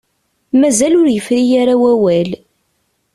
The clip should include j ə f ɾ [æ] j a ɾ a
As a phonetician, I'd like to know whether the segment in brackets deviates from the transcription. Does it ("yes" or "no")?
yes